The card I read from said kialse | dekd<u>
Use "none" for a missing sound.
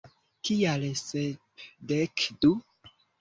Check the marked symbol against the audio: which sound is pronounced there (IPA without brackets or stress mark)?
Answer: u